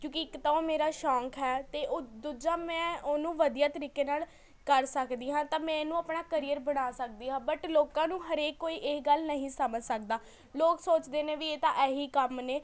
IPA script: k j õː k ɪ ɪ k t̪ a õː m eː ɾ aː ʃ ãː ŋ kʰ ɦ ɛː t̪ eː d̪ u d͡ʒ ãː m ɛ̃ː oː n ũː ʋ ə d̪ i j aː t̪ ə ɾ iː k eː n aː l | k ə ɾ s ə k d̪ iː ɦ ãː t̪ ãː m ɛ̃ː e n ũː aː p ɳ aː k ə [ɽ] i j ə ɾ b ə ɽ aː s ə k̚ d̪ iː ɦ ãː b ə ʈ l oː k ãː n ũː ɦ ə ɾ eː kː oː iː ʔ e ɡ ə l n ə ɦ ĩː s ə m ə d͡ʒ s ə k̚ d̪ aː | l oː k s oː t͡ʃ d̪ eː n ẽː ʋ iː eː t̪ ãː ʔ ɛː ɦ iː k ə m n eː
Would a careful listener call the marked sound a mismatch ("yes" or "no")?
yes